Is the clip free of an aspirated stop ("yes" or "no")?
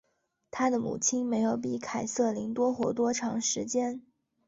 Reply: no